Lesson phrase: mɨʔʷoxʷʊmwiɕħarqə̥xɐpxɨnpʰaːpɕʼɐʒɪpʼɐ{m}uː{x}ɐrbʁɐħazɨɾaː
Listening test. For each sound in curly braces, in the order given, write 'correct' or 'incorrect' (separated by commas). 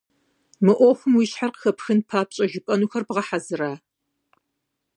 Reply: incorrect, correct